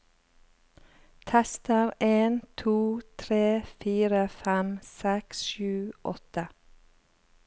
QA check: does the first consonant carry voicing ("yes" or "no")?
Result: no